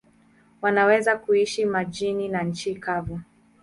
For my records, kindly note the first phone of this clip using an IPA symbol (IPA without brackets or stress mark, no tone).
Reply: w